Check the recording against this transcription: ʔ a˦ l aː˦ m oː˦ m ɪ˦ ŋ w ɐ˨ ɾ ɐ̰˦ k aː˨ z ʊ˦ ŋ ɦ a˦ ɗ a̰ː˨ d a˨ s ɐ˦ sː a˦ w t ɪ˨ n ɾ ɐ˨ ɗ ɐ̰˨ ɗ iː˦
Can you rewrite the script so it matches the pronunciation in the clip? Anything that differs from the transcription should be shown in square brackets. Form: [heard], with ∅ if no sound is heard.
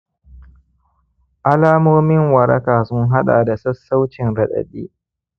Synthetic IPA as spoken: ʔ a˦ l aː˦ m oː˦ m ɪ˦ ŋ w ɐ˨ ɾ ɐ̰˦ k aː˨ [s] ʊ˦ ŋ ɦ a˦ ɗ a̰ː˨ d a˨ s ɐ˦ sː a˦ w [t͡ʃ] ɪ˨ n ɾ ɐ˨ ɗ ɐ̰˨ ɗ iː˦